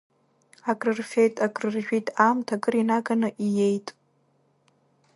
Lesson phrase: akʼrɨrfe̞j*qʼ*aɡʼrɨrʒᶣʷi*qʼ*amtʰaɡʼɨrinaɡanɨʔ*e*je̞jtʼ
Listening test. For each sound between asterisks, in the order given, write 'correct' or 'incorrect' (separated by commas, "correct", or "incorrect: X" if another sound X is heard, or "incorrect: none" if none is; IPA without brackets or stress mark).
incorrect: tʼ, incorrect: tʼ, incorrect: i